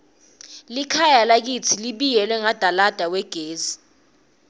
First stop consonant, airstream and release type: aspirated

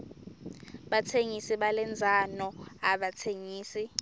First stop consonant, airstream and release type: implosive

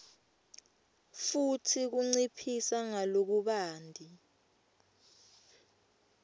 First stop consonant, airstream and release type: aspirated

